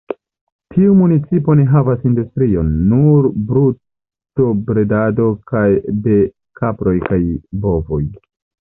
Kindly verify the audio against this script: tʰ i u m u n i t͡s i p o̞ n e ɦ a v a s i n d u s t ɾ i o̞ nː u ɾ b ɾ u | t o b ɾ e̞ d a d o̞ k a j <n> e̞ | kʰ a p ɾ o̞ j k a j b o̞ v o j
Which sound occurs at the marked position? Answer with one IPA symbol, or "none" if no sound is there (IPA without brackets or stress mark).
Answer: d